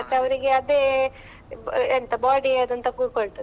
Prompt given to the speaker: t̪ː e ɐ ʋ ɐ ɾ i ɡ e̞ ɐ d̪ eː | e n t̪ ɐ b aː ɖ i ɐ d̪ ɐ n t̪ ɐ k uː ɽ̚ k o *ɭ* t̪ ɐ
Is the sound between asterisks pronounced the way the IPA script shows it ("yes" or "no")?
yes